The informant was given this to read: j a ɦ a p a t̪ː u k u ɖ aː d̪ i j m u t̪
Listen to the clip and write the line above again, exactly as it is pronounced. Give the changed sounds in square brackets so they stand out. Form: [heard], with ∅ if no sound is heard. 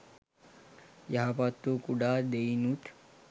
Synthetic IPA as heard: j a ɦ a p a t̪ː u k u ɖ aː d̪ [e] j [n] u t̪